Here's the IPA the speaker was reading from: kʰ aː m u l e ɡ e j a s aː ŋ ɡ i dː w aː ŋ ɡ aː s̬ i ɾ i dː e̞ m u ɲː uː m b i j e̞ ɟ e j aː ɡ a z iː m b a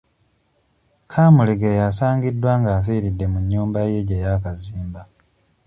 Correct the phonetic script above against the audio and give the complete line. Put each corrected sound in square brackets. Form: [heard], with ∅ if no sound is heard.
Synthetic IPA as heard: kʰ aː m u l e ɡ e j a s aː ŋ ɡ i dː w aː ŋ ɡ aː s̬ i ɾ i dː e̞ m u ɲː uː m b [a] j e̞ ɟ e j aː [k] a z iː m b a